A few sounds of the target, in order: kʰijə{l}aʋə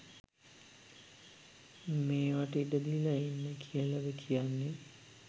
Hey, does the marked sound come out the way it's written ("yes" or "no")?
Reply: yes